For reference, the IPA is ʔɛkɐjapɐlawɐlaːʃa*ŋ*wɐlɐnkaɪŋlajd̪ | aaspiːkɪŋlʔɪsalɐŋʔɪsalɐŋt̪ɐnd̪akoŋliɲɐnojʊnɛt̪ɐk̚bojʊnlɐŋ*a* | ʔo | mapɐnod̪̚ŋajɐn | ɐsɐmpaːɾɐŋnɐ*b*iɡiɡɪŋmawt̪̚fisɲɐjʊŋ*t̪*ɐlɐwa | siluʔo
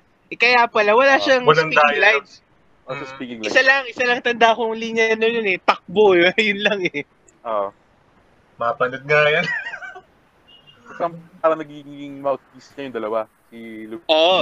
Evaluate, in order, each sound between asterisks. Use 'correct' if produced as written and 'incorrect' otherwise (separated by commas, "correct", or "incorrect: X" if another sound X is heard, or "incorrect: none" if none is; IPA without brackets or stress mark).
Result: correct, incorrect: ɛ, incorrect: ɡ, incorrect: d̪